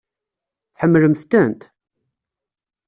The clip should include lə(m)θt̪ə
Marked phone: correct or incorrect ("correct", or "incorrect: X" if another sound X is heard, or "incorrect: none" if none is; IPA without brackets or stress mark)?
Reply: correct